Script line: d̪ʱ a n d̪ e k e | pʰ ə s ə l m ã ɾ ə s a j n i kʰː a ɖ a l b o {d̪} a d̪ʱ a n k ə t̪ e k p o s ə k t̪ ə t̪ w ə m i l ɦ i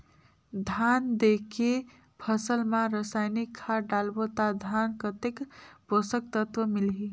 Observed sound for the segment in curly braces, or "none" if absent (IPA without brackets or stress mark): t̪